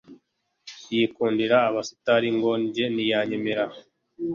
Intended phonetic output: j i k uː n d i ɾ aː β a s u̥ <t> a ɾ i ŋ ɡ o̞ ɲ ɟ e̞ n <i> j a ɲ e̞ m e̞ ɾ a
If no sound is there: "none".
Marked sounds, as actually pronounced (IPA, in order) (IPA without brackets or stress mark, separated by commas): t, i